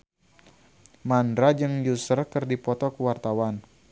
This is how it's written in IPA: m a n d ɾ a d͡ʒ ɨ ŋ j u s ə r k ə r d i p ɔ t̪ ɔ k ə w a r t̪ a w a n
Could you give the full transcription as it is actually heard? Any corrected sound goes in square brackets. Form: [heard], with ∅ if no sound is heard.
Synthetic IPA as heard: m a n d ɾ a d͡ʒ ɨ ŋ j u s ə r k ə r d i p ɔ t̪ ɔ k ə w a r t̪ a w a n